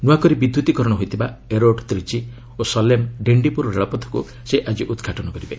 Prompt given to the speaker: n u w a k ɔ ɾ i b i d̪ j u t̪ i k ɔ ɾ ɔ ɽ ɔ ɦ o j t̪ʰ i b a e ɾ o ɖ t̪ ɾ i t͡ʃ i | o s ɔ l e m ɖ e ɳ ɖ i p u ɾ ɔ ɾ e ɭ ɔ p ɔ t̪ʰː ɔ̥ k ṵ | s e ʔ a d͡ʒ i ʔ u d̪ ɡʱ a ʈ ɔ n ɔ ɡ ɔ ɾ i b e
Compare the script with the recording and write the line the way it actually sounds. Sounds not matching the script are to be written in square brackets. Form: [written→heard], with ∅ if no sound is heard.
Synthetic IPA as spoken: n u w a k ɔ ɾ i b i d̪ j u t̪ i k ɔ ɾ ɔ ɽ ɔ ɦ o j t̪ʰ i b a e ɾ o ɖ t̪ ɾ i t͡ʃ i | o s ɔ l e m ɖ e ɳ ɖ i p u ɾ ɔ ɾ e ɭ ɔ p ɔ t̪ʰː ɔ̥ k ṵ | s e ʔ a d͡ʒ i ʔ u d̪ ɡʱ a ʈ ɔ n ɔ [ɡ→k] ɔ ɾ i b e